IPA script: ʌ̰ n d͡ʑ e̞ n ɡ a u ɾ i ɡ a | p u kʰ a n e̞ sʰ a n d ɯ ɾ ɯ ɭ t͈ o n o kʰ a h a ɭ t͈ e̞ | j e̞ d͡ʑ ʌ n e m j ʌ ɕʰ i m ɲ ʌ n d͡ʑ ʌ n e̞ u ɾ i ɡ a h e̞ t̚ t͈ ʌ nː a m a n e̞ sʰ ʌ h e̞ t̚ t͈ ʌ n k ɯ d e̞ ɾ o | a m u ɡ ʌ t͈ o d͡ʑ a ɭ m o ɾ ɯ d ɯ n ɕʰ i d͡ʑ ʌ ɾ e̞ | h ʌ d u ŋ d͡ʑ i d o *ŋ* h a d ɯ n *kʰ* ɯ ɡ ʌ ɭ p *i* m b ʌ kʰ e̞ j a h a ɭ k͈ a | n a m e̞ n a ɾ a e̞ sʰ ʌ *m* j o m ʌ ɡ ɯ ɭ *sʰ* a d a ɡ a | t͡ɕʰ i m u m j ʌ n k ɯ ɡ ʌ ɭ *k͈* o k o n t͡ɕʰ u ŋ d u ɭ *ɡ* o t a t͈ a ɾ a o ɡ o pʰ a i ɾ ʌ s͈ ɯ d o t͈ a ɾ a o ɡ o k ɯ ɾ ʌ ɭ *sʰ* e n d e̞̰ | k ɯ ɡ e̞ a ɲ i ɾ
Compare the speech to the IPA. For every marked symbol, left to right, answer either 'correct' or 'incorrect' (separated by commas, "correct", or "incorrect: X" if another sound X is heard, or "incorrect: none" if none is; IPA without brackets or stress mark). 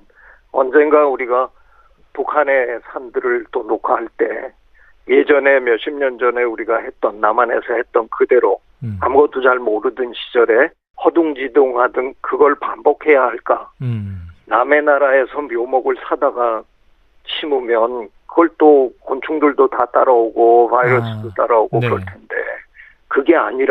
correct, incorrect: k, incorrect: a, correct, correct, incorrect: t͈, incorrect: d, incorrect: tʰ